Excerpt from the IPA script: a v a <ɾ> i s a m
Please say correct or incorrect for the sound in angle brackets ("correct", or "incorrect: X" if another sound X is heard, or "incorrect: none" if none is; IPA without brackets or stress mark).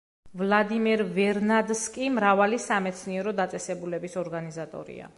incorrect: l